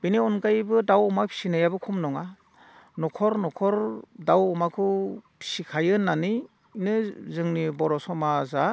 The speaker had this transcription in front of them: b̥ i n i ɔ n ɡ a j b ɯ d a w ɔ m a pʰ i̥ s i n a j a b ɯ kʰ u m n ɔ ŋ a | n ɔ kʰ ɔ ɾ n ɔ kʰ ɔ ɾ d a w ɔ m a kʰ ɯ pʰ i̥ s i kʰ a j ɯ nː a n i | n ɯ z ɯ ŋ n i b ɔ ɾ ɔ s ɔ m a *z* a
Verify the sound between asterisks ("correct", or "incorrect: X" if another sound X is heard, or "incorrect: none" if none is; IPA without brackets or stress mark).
correct